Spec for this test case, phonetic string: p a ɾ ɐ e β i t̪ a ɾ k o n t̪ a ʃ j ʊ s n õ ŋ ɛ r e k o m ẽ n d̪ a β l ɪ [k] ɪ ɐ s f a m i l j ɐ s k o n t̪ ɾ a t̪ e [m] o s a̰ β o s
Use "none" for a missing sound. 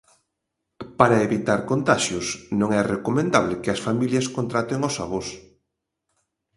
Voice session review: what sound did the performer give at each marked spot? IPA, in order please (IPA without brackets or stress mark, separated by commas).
k, ŋ